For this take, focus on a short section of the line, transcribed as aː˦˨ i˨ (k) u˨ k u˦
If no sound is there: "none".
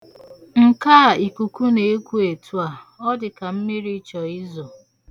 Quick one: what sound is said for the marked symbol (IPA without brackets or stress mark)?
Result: k